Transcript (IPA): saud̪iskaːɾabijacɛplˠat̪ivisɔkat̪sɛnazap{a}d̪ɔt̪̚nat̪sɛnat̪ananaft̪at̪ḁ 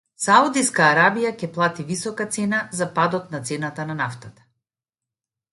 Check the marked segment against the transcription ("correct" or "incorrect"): correct